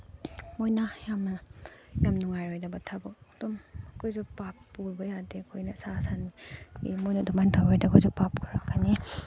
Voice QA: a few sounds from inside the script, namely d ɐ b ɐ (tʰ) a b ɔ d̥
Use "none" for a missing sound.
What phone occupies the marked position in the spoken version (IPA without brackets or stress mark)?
tʰ